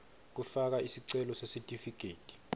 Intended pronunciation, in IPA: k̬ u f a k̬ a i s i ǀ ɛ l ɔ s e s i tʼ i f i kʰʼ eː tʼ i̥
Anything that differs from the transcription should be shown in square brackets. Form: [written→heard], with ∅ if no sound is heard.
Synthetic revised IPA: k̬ u f a k̬ a i s i ǀ ɛ l ɔ s e s i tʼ i f i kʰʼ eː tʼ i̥